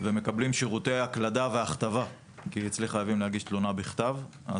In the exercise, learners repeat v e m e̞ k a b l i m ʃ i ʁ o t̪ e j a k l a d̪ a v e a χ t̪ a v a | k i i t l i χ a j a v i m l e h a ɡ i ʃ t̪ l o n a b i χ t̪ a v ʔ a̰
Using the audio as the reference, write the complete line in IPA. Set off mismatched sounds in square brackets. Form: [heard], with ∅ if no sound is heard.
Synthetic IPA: v e m e̞ k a b l i m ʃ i ʁ [u] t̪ e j a k l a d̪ a v e a χ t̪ a v a | k i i [t͡s] l i χ a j a v i m l e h a ɡ i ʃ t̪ l o n a b i χ t̪ a v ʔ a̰